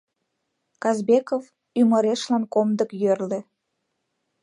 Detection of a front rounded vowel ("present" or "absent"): present